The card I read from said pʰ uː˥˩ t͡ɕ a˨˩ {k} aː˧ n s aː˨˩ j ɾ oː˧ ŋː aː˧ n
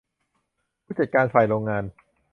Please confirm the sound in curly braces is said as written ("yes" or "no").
yes